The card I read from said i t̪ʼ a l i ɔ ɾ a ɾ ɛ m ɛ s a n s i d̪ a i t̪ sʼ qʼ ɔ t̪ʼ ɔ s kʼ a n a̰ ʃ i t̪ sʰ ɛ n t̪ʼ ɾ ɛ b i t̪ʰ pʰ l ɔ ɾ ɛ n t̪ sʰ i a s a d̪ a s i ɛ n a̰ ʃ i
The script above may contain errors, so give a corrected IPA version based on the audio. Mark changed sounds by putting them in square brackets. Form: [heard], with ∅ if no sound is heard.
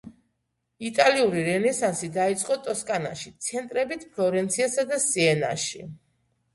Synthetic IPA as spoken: i t̪ʼ a l i [u] ɾ [i] ɾ ɛ [n] ɛ s a n s i d̪ a i t̪ sʼ qʼ ɔ t̪ʼ ɔ s kʼ a n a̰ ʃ i t̪ sʰ ɛ n t̪ʼ ɾ ɛ b i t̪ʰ pʰ l ɔ ɾ ɛ n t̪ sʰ i a s a d̪ a s i ɛ n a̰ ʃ i